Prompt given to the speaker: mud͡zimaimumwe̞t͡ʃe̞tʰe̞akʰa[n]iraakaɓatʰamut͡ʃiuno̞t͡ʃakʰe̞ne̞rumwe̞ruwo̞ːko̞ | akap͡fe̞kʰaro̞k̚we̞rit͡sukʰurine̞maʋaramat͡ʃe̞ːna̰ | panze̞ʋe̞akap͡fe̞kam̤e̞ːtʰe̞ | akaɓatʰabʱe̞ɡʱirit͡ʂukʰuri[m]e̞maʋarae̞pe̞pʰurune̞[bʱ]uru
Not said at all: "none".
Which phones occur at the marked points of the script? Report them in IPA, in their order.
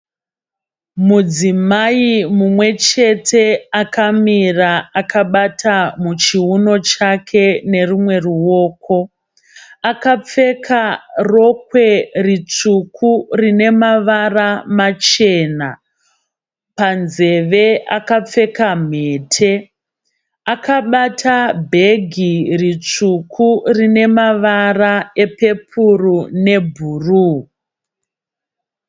m, n, bʱ

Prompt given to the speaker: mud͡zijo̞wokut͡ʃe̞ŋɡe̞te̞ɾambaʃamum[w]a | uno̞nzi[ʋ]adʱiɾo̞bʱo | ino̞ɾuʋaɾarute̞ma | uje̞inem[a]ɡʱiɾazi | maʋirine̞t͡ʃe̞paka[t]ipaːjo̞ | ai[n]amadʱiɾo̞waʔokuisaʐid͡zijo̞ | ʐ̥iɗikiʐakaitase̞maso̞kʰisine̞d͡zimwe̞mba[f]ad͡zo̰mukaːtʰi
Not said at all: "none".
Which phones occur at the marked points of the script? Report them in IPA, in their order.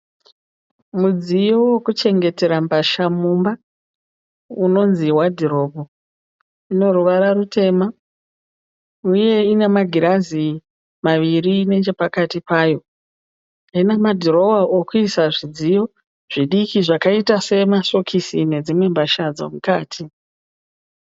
b, w, a, t, n, ʃ

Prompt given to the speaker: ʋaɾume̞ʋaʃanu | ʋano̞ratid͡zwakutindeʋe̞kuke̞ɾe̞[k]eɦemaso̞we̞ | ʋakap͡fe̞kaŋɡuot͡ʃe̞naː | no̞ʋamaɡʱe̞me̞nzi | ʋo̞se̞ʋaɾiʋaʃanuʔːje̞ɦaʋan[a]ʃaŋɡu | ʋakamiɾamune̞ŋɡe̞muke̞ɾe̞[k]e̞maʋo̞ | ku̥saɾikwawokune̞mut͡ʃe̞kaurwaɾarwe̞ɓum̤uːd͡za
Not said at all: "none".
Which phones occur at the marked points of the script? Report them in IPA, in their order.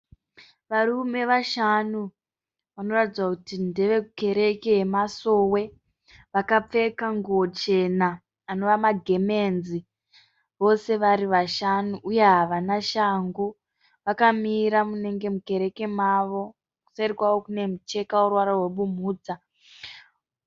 k, a, k

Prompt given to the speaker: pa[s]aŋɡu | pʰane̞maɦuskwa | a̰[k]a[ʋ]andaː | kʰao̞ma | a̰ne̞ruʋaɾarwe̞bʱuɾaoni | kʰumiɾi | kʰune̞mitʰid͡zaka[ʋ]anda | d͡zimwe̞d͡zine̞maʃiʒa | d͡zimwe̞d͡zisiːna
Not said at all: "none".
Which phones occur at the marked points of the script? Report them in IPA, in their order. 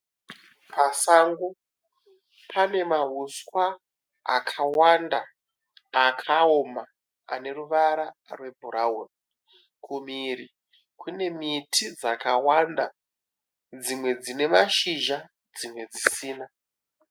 s, kʰ, w, w

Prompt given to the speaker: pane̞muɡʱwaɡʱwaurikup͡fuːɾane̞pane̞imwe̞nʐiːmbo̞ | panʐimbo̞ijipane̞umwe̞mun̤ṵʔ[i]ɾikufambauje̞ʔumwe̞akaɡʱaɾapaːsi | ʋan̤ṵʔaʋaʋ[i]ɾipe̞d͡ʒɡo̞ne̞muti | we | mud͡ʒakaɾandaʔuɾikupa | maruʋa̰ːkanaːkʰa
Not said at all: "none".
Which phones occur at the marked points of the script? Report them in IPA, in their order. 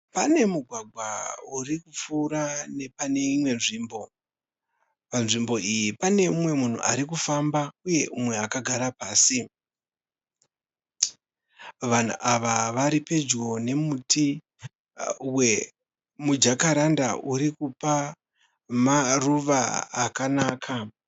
a, a

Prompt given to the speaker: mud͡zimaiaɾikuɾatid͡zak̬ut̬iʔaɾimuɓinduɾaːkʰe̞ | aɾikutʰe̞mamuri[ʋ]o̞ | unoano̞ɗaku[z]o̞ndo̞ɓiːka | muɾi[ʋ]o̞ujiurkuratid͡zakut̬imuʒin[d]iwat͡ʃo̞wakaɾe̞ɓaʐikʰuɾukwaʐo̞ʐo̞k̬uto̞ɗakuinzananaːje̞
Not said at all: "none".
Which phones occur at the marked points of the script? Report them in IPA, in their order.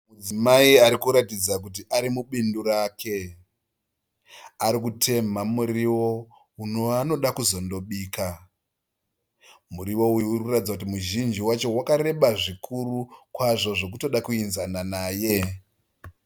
w, z, w, d͡ʒ

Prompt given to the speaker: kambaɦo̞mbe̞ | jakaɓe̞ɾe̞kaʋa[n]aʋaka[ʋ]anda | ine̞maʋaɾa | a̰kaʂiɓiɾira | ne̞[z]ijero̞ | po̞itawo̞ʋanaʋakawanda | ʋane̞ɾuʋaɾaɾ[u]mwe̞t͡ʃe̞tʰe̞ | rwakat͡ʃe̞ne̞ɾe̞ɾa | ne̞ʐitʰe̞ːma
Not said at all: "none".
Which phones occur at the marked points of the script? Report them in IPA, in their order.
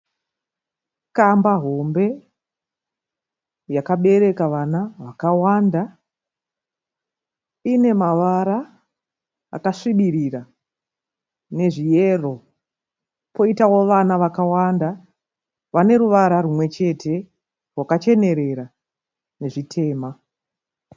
n, w, ʐ, u

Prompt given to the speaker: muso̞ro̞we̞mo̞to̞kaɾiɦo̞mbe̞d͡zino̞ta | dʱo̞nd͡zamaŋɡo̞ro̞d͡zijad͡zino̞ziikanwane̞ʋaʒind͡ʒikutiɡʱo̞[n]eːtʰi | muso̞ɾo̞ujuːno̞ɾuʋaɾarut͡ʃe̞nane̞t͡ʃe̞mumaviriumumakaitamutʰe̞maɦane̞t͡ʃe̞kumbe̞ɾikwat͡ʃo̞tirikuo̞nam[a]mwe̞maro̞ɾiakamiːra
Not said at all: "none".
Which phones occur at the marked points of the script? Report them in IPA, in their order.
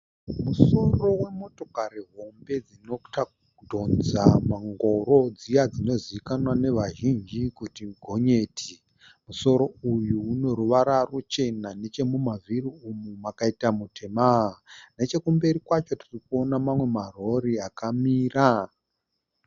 ɲ, a

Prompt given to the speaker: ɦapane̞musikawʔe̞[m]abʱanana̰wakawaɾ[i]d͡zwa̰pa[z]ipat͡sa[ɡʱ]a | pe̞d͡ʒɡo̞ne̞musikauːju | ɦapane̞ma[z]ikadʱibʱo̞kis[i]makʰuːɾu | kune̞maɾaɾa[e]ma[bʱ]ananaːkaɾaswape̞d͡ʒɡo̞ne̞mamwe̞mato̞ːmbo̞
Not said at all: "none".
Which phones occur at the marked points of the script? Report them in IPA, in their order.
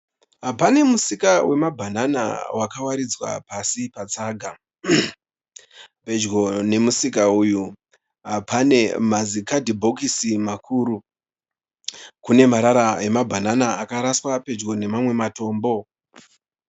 m, i, s, ɡʱ, z, i, e, bʱ

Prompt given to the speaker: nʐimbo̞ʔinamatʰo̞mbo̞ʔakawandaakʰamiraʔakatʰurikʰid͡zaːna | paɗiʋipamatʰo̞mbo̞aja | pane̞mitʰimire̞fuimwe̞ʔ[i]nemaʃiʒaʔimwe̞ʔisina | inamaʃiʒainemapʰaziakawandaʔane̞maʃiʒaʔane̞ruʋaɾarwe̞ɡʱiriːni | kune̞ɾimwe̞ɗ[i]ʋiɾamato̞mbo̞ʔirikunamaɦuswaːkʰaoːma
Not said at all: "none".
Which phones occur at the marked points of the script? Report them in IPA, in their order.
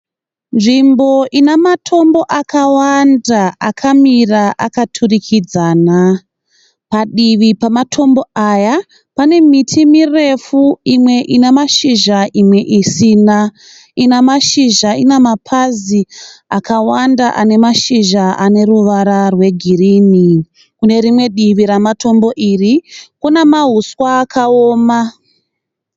i, i

